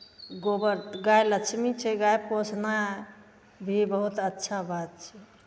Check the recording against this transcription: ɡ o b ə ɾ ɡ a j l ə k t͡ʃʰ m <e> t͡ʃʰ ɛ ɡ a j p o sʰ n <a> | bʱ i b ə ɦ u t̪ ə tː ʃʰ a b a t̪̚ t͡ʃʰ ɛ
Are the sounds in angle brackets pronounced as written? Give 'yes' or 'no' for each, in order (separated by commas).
no, yes